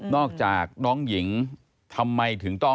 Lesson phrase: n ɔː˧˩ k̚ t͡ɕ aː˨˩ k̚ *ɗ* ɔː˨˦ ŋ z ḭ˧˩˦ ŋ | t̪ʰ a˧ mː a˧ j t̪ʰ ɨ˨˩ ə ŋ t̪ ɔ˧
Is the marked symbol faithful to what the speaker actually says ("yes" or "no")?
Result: yes